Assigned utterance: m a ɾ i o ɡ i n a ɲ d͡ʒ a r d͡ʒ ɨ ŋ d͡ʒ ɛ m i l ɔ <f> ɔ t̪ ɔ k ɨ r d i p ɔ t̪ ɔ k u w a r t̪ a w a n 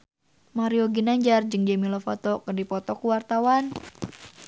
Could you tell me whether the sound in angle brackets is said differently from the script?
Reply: no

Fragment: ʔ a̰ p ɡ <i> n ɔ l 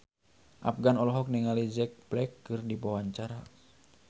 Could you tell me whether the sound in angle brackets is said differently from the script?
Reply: yes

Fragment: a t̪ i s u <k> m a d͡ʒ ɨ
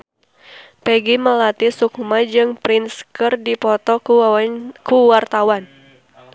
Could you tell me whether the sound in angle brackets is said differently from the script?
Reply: no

